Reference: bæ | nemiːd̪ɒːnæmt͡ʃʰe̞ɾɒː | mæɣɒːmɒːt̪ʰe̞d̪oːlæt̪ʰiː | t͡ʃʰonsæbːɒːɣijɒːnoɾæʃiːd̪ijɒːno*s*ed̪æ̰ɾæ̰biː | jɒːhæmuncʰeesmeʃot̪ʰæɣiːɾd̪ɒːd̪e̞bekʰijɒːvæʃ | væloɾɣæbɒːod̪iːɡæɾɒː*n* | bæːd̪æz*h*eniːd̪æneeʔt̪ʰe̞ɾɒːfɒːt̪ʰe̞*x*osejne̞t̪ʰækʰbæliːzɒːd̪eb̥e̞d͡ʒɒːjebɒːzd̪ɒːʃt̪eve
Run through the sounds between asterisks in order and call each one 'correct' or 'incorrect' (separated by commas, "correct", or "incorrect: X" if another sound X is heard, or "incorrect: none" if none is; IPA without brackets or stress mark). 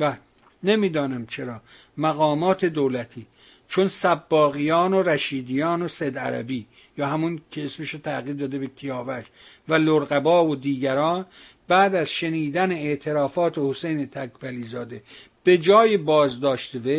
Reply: correct, correct, incorrect: ʃ, incorrect: h